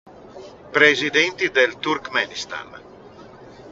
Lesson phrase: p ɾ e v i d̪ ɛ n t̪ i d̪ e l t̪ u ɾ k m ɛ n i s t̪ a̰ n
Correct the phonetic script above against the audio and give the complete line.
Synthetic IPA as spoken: p ɾ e z i d̪ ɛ n t̪ i d̪ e l t̪ u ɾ k m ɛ n i s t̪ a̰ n